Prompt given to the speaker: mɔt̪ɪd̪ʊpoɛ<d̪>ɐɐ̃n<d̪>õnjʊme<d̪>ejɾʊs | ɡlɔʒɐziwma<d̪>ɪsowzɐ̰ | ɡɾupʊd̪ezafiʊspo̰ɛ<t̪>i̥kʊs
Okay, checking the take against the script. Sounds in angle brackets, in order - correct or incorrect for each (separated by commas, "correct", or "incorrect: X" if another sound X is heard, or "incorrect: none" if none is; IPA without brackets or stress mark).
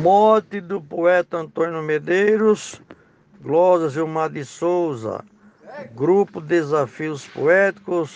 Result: incorrect: t̪, incorrect: t̪, correct, correct, correct